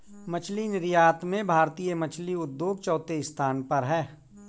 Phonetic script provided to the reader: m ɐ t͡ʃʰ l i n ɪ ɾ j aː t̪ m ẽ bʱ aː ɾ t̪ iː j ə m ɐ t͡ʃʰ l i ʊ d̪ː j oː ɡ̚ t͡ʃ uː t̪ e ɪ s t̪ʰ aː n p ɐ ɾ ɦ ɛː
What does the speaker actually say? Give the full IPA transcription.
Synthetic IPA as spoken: m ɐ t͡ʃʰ l i n ɪ ɾ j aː t̪ m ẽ bʱ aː ɾ t̪ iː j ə m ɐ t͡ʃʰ l i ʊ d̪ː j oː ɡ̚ t͡ʃ ɔː t̪ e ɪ s t̪ʰ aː n p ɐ ɾ ɦ ɛː

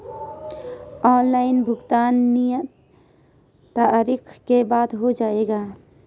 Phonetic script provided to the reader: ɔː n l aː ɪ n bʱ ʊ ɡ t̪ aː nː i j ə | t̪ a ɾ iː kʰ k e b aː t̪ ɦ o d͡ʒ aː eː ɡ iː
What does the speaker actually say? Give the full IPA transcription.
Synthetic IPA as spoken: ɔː n l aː ɪ n bʱ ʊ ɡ t̪ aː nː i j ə | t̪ a ɾ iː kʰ k e b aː d̪ ɦ o d͡ʒ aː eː ɡ aː

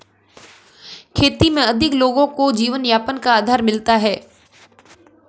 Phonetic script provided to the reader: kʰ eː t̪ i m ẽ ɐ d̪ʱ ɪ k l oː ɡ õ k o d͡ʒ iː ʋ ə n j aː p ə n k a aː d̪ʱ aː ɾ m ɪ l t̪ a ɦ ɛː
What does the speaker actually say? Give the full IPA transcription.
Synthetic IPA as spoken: kʰ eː t̪ i m ẽ ɐ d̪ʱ ɪ k l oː ɡ õ k o d͡ʒ iː ʋ ə n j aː p ə n k a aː d̪ʱ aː ɾ m ɪ l t̪ a ɦ ɛː

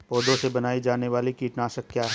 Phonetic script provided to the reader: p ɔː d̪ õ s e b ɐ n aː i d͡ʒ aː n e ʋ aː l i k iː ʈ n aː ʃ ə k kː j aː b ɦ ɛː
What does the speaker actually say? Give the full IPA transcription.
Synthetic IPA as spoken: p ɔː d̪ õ s e b ɐ n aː i d͡ʒ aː n e ʋ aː l i k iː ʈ n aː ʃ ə k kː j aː ɦ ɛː

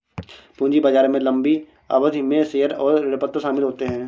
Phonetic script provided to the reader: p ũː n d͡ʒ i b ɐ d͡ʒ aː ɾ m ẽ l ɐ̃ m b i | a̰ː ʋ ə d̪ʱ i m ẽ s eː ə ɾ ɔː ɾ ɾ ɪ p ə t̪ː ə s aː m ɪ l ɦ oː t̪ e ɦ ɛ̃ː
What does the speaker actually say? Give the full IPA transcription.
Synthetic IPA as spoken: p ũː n d͡ʒ i b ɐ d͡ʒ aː ɾ m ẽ l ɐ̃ m b i | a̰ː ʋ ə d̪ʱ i m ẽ s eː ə ɾ ɔː ɾ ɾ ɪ p ə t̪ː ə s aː m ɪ l ɦ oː t̪ e ɦ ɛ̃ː

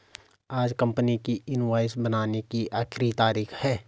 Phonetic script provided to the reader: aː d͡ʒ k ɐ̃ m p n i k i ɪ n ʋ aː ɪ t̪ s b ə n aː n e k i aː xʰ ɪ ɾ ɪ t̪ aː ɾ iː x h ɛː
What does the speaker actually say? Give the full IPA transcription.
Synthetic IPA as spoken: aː d͡ʒ k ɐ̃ m p n i k i ɪ n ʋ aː ɪ s b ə n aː n e k i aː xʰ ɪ ɾ i t̪ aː ɾ iː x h ɛː

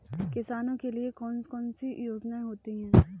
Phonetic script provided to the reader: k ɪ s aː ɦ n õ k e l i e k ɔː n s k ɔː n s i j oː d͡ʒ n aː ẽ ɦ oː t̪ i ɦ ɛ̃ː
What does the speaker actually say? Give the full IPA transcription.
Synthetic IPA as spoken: k ɪ s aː n õ k e l i e k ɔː n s k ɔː n s i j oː d͡ʒ n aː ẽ ɦ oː t̪ i ɦ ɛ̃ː

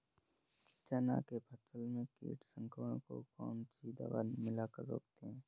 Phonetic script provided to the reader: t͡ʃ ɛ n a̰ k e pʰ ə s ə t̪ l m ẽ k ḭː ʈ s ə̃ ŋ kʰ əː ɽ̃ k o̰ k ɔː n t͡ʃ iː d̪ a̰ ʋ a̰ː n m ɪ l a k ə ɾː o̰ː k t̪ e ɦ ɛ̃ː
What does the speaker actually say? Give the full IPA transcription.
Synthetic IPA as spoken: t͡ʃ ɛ n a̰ k e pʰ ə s ə l m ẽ k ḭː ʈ s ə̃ ŋ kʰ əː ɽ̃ k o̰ k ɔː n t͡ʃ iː d̪ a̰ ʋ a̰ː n m ɪ l a k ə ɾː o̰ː k t̪ e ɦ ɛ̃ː

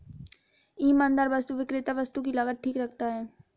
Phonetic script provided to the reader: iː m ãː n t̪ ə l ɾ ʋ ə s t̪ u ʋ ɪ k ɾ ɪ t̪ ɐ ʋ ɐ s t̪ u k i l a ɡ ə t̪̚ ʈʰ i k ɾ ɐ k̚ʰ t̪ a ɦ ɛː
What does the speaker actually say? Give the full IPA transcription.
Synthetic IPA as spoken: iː m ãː n d̪ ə ɾ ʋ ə s t̪ u ʋ ɪ k ɾ ɪ t̪ a ʋ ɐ s t̪ u k i l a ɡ ə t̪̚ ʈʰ iː k ɾ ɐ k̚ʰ t̪ a ɦ ɛː

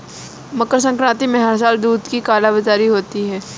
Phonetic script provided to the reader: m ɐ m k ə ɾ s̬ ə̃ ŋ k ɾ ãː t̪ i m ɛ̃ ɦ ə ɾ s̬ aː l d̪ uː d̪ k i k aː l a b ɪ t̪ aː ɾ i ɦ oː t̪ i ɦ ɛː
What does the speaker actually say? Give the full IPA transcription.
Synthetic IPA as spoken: m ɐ k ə ɾ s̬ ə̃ ŋ k ɾ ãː t̪ i m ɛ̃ ɦ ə ɾ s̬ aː l d̪ uː d̪ k i k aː l a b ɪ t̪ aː ɾ i ɦ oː t̪ i ɦ ɛː

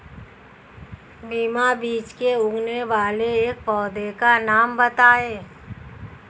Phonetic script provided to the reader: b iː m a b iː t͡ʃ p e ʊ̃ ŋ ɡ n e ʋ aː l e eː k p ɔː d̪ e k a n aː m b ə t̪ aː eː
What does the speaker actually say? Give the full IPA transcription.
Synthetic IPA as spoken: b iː m a b iː t͡ʃ k e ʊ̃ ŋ ɡ n e ʋ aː l e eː k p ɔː d̪ e k a n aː m b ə t̪ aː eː

